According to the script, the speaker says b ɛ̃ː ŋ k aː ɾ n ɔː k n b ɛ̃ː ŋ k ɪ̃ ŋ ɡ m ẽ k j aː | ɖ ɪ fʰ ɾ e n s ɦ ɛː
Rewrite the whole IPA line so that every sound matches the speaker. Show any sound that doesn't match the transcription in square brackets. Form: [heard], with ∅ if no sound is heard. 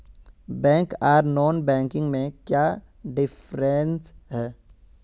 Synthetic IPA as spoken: b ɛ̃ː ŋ k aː ɾ n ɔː [∅] n b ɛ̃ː ŋ k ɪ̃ ŋ ɡ m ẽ k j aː | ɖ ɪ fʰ ɾ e n s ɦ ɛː